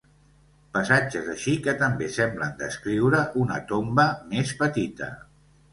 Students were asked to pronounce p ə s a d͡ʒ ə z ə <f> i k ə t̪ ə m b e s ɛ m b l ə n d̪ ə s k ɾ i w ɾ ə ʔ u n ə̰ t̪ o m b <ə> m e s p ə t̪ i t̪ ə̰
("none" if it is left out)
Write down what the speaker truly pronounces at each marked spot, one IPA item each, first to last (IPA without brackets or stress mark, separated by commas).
ʃ, ə